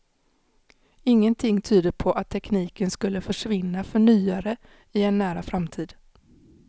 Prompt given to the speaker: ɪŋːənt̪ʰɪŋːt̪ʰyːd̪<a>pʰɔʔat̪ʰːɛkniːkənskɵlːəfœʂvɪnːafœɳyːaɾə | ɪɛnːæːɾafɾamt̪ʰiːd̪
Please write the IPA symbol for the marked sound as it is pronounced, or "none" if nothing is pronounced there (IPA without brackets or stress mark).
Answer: ə